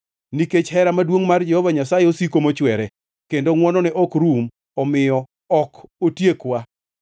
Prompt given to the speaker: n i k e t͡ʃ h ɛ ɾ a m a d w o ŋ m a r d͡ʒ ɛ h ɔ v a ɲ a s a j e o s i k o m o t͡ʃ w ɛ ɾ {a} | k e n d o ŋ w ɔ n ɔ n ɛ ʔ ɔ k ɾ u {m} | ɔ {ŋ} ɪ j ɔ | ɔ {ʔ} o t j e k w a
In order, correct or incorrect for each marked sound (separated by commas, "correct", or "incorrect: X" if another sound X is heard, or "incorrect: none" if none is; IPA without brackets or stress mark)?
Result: incorrect: ɛ, correct, incorrect: m, incorrect: k